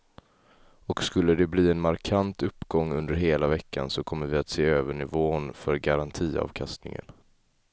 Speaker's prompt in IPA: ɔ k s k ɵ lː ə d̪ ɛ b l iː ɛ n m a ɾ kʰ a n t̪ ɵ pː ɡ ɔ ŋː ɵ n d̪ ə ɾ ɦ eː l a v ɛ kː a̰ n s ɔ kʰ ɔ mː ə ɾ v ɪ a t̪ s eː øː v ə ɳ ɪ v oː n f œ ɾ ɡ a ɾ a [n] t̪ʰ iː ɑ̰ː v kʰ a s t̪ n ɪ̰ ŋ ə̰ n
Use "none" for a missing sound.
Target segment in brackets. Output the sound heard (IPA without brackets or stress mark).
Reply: n